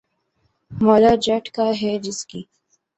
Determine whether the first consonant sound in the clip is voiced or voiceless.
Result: voiced